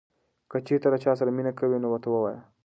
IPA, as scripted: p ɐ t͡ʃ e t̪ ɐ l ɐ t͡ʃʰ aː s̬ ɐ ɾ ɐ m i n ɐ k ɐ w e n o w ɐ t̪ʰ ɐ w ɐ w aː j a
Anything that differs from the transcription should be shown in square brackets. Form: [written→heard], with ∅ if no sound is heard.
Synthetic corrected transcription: [p→k] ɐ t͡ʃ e t̪ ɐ [l→ɾ] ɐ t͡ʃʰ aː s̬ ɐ ɾ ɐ m i n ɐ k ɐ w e n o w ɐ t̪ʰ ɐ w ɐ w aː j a